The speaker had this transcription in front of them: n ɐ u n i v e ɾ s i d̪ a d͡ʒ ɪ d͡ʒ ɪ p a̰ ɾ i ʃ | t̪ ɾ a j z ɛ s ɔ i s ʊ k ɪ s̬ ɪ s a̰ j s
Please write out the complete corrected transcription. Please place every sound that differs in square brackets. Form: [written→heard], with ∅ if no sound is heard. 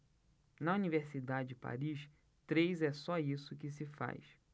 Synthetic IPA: n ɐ u n i v e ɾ s i d̪ a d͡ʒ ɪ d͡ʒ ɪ p a̰ ɾ i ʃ | t̪ ɾ [a→e] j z ɛ s ɔ i s ʊ k ɪ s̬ ɪ [s→f] a̰ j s